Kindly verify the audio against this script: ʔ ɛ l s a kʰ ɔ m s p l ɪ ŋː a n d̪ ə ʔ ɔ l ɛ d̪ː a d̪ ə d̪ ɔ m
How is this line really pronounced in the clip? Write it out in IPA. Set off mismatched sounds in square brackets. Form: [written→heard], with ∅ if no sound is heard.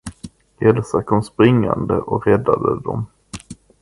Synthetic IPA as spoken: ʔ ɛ l s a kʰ ɔ m s p [l→ɾ] ɪ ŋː a n d̪ ə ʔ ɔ [l→ɾ] ɛ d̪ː a d̪ ə d̪ ɔ m